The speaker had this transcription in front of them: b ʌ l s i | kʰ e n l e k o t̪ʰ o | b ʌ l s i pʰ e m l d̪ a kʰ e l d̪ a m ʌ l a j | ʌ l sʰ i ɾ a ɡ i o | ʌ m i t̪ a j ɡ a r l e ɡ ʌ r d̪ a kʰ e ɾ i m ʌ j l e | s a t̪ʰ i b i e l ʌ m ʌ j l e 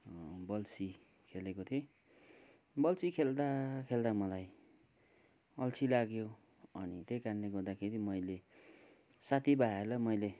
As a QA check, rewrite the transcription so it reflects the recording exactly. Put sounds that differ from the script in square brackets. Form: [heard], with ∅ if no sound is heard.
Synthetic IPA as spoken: b ʌ l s i | kʰ e [∅] l e k o t̪ʰ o | b ʌ l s i [kʰ] e [∅] l d̪ a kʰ e l d̪ a m ʌ l a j | ʌ l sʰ i [l] a ɡ [j] o | ʌ [n] i t̪ [e] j [k] a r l e ɡ ʌ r d̪ a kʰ e ɾ i m ʌ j l e | s a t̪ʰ i b [a] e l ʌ m ʌ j l e

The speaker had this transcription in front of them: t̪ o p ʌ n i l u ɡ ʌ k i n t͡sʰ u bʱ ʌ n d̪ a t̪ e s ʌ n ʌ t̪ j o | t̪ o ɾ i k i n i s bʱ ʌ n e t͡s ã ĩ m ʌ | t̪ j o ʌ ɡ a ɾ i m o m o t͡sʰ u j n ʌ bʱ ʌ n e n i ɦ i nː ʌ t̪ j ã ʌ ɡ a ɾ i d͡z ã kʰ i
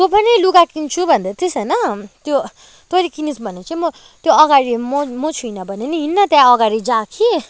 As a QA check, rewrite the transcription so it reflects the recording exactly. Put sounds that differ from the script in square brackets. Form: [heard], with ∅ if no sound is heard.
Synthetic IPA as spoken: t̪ o p ʌ n i l u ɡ [a] k i n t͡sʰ u bʱ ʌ n d̪ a t̪ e s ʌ n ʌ t̪ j o | t̪ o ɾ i k i n i s bʱ ʌ n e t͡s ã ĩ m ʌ | t̪ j o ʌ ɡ a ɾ i m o m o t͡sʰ u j n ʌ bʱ ʌ n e n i ɦ i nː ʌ t̪ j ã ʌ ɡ a ɾ i d͡z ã kʰ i

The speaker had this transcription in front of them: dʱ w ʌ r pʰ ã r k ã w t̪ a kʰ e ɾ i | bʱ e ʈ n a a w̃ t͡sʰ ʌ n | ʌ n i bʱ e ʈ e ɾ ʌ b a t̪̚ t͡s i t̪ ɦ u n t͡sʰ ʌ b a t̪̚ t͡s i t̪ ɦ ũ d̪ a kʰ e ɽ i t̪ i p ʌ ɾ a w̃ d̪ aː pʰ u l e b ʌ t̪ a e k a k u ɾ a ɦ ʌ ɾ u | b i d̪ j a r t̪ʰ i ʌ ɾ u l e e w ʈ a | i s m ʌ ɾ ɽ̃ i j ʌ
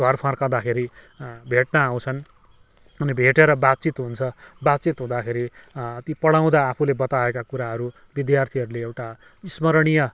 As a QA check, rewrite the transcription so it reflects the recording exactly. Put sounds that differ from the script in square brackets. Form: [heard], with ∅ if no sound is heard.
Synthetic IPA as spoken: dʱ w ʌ r pʰ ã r k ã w [d̪] a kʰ e ɾ i | bʱ e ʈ n a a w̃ t͡sʰ ʌ n | ʌ n i bʱ e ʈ e ɾ ʌ b a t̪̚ t͡s i t̪ ɦ u n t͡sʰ ʌ b a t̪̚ t͡s i t̪ ɦ ũ d̪ a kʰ e [ɾ] i t̪ i p ʌ [ɽ] a w̃ d̪ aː pʰ u l e b ʌ t̪ a e k a k u ɾ a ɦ ʌ ɾ u | b i d̪ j a r t̪ʰ i ʌ ɾ u l e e w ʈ a | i s m ʌ ɾ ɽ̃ i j ʌ

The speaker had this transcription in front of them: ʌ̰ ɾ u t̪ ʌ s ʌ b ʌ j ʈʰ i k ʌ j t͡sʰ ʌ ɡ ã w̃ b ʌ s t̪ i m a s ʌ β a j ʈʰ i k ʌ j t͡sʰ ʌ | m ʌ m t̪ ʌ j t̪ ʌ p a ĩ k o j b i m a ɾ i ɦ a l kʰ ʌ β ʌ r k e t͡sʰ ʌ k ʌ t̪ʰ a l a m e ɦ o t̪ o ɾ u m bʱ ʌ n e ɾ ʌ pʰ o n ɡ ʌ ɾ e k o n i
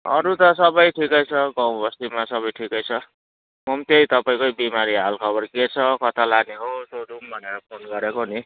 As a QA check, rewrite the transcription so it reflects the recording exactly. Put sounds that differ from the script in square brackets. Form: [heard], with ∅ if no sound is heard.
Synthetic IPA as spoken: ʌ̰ ɾ u t̪ ʌ s ʌ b ʌ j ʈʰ i k ʌ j t͡sʰ ʌ ɡ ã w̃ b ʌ s t̪ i m a s ʌ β [ʌ] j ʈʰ i k ʌ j t͡sʰ ʌ | m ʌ m t̪ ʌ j t̪ ʌ p a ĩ k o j b i m a ɾ i ɦ a l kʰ ʌ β ʌ r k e t͡sʰ ʌ k ʌ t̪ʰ a l a [n] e ɦ o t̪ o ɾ u m bʱ ʌ n e ɾ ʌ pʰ o n ɡ ʌ ɾ e k o n i

